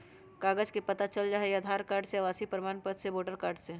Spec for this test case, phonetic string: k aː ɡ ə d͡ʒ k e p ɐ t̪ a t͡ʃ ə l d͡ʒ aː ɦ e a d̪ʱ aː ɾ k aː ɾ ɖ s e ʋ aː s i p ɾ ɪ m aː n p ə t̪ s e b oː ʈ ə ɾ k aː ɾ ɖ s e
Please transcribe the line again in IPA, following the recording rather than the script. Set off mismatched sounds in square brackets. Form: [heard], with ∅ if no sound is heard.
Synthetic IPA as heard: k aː ɡ ə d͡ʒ k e p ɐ t̪ a t͡ʃ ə l d͡ʒ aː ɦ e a d̪ʱ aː ɾ k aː ɾ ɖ s e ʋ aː s i p ɾ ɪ m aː n p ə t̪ s e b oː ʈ ə ɾ k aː ɾ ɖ s e